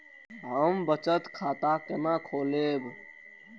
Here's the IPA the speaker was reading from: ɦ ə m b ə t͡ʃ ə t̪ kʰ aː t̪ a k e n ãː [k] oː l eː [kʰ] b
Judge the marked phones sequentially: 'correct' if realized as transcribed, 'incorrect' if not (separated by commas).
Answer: incorrect, incorrect